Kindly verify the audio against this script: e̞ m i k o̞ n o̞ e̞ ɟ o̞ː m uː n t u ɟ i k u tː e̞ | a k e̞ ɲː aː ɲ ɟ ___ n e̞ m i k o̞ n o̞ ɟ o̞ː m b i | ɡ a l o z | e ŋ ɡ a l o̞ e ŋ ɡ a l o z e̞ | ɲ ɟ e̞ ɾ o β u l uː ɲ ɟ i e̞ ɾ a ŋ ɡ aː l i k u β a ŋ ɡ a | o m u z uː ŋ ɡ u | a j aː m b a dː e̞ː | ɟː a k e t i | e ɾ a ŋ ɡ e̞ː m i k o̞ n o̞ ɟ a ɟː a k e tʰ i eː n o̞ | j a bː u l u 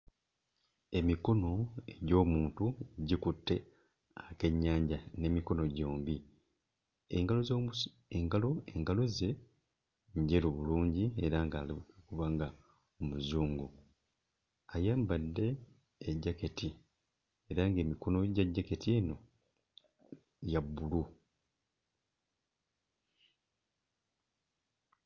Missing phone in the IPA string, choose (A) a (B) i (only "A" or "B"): A